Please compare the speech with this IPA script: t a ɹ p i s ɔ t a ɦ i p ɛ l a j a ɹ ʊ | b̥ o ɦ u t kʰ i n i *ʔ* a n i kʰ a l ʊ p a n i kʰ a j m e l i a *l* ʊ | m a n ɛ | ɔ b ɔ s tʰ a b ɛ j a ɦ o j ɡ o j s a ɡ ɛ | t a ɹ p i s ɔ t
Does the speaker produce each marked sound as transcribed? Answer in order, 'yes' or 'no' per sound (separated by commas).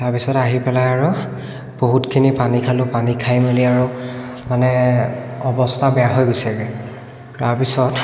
no, no